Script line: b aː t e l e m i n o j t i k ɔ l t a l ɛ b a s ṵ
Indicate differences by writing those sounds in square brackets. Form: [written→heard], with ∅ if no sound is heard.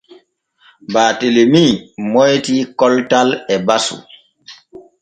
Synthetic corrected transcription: b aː t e l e m i [n→m] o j t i k ɔ l t a l ɛ b a s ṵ

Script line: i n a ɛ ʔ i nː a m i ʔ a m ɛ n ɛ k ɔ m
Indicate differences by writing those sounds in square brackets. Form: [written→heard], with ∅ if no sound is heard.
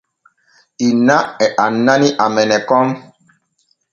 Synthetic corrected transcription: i n a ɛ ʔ [i→a] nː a [m→n] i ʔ a m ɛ n ɛ k ɔ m

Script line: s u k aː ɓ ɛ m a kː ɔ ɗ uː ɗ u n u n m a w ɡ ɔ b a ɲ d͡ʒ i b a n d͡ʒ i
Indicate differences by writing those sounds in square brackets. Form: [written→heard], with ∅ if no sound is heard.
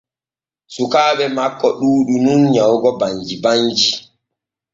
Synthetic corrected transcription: s u k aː ɓ ɛ m a kː ɔ ɗ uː ɗ u n u n [m→ɲ] a w ɡ ɔ b a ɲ d͡ʒ i b a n d͡ʒ i

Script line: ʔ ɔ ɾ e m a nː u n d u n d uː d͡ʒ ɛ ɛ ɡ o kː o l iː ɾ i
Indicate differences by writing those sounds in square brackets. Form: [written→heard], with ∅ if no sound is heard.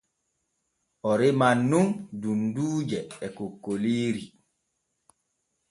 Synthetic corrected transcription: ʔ ɔ ɾ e m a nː u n d u n d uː d͡ʒ ɛ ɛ [ɡ→k] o kː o l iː ɾ i

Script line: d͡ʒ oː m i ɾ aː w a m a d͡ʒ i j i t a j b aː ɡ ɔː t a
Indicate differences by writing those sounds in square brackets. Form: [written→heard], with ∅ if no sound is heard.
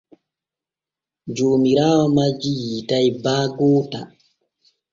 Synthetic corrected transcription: d͡ʒ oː m i ɾ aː w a m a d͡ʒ i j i t a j b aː ɡ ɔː t a

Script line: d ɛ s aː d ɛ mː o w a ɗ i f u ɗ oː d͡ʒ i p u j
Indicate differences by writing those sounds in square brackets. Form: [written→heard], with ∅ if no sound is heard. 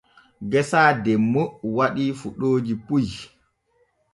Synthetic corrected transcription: [d→ɡ] ɛ s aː d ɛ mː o w a ɗ i f u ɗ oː d͡ʒ i p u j

